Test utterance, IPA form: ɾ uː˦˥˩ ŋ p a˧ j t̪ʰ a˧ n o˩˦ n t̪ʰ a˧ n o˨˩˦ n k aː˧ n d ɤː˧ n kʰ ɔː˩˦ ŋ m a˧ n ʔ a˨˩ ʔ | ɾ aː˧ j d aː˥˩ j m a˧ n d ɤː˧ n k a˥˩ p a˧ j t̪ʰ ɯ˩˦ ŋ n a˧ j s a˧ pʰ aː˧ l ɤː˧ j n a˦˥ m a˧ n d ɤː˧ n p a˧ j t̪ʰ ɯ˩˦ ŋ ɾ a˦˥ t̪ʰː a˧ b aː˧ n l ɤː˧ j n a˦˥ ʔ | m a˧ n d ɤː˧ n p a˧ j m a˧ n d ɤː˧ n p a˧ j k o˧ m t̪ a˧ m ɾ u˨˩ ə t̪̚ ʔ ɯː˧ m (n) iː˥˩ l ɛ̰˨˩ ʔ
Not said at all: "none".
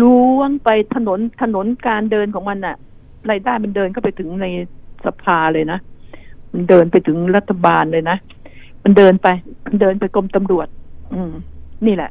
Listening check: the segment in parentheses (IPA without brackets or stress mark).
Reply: n